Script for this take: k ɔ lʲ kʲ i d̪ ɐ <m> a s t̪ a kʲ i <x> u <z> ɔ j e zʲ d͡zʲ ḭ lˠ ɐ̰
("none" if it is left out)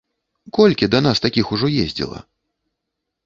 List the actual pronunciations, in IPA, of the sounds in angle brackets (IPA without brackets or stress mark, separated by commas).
n, x, ʐ